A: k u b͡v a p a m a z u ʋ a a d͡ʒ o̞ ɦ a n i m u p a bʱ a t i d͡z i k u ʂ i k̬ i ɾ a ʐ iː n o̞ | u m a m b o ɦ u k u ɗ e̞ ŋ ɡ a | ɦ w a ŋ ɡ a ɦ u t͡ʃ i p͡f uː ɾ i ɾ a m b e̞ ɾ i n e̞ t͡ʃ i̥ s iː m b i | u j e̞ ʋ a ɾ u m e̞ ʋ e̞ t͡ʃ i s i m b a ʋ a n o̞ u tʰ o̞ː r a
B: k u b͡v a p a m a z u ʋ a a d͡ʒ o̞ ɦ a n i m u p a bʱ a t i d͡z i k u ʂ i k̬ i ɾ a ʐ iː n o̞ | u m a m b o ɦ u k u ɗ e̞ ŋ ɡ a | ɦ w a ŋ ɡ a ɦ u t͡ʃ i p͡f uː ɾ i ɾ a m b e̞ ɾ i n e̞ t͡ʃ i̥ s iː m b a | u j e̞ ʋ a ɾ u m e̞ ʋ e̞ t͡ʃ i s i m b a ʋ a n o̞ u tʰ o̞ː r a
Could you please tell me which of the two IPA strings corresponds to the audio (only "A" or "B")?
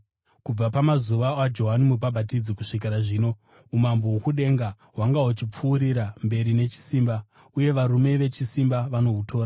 B